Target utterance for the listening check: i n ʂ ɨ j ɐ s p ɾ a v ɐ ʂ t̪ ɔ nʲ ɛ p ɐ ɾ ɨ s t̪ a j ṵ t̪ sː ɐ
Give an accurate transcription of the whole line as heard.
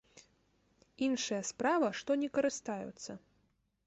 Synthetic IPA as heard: i n ʂ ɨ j ɐ s p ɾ a v ɐ ʂ t̪ ɔ nʲ ɛ k ɐ ɾ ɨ s t̪ a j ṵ t̪ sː ɐ